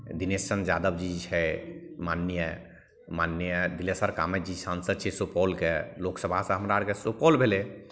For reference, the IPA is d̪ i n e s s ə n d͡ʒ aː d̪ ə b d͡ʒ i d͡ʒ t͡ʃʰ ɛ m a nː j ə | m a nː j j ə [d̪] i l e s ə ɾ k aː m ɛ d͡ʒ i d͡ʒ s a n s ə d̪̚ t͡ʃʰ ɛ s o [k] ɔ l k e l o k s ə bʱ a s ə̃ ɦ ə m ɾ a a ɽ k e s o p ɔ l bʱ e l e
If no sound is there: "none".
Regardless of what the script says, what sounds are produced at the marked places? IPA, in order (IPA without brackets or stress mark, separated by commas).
d̪, p